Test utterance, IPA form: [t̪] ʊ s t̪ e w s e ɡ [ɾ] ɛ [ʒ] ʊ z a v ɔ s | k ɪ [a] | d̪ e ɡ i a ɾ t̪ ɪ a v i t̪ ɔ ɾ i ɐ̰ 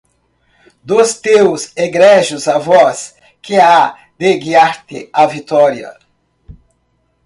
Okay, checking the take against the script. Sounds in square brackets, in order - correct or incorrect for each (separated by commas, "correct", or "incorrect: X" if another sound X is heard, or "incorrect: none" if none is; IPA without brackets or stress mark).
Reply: incorrect: d̪, correct, correct, correct